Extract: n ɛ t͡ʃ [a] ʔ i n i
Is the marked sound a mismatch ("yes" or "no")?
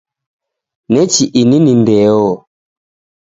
yes